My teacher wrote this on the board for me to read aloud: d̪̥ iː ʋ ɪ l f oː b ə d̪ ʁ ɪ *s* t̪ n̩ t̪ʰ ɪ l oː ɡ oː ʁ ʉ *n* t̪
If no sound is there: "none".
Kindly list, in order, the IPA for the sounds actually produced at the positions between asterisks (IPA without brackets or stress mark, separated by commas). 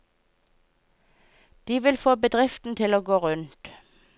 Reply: f, n